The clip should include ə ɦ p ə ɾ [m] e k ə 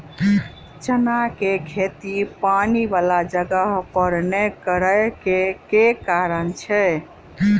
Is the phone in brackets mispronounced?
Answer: yes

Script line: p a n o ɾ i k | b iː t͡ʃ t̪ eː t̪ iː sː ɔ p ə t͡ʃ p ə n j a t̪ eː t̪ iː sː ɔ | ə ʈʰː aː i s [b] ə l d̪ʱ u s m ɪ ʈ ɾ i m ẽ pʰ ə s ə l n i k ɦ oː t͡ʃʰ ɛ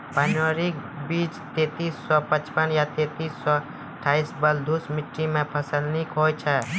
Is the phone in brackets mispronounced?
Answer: no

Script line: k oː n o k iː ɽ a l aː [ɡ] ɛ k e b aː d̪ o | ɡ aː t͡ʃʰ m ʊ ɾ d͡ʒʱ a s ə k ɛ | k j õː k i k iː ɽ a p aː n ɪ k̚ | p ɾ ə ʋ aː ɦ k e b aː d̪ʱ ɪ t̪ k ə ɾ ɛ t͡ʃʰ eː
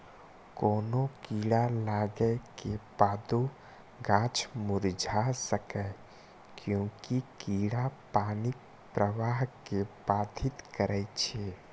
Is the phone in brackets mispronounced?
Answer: no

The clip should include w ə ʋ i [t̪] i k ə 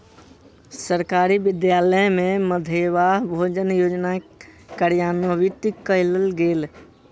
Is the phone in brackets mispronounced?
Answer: no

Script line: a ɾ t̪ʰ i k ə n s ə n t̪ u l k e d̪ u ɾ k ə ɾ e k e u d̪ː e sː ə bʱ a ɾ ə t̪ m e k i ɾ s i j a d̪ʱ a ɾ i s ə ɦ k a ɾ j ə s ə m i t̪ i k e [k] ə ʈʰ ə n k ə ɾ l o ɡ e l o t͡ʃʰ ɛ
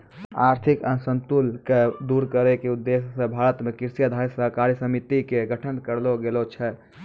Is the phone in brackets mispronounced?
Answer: yes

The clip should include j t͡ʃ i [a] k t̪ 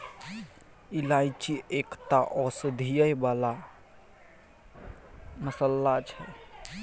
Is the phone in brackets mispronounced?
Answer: yes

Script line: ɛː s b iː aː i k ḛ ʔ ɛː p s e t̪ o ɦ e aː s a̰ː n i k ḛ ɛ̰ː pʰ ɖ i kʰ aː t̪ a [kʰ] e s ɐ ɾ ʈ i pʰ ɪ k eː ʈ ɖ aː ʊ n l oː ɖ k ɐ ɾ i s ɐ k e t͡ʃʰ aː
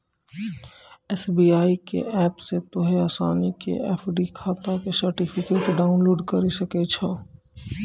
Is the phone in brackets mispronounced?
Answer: yes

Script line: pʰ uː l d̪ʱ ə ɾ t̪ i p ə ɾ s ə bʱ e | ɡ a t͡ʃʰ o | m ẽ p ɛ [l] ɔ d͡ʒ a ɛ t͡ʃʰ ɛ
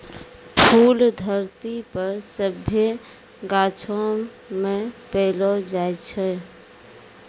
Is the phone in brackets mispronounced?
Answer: no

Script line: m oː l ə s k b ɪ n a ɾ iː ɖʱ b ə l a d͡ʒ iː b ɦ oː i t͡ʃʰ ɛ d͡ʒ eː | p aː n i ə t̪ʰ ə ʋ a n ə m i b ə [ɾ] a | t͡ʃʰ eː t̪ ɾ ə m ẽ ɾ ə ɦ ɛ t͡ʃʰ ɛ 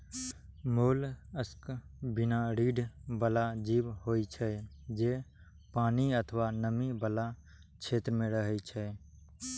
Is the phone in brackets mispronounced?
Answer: yes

